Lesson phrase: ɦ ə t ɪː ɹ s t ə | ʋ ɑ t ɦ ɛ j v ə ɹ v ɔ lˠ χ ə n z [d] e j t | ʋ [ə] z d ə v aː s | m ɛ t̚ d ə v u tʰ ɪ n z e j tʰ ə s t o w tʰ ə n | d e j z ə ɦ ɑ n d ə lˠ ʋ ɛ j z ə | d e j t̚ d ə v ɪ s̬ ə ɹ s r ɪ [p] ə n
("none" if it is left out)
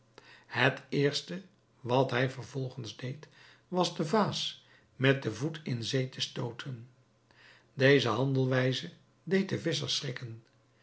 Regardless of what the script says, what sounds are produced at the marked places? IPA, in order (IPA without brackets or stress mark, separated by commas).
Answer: d, ɑ, k